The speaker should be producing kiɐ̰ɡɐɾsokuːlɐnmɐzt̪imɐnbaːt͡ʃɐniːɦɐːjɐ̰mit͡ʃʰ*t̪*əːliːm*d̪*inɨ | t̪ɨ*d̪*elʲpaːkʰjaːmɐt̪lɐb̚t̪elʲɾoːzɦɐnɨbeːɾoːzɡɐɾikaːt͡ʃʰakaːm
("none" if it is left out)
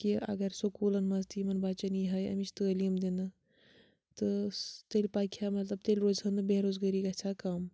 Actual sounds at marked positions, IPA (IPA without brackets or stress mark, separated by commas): t̪, d̪, t̪